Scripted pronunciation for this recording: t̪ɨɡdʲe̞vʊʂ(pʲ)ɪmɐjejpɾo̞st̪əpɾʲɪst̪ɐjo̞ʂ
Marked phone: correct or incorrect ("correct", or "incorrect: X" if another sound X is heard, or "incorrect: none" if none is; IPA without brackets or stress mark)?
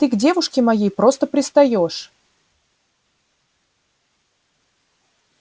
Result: incorrect: kʲ